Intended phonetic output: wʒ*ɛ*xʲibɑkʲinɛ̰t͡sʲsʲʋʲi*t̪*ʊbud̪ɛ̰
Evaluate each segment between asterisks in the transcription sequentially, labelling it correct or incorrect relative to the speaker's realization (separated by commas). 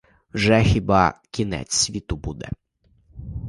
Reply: correct, correct